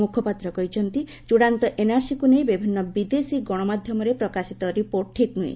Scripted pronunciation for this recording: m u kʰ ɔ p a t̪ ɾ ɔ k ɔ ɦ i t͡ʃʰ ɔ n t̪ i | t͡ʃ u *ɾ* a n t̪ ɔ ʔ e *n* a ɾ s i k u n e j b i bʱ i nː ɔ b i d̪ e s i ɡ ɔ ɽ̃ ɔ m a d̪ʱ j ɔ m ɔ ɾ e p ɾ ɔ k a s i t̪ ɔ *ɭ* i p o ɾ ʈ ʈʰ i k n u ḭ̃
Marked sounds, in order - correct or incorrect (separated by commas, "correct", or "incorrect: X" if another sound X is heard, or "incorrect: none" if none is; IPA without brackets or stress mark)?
incorrect: ɽ, correct, incorrect: ɾ